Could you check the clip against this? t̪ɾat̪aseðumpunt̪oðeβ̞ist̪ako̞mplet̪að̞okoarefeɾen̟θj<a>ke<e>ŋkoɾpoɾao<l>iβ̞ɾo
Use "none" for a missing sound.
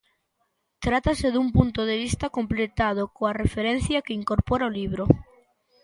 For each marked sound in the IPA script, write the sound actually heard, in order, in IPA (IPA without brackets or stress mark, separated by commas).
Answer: a, i, l